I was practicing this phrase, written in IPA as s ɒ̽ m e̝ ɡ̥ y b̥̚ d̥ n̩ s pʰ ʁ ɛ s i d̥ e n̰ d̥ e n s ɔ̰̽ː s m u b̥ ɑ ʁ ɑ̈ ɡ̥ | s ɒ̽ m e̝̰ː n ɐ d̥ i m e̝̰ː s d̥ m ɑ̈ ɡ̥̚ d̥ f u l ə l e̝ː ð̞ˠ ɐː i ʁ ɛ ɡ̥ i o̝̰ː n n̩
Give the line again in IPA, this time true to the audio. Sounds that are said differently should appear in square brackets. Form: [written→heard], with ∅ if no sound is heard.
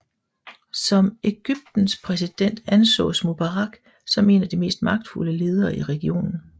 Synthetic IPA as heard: s ɒ̽ m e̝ ɡ̥ y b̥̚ d̥ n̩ s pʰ ʁ ɛ s i d̥ e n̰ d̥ [e→æ] n s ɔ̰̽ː s m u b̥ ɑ ʁ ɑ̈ ɡ̥ | s ɒ̽ m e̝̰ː n ɐ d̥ i m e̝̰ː s d̥ m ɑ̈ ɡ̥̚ d̥ f u l ə l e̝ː ð̞ˠ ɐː i ʁ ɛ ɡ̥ i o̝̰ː n n̩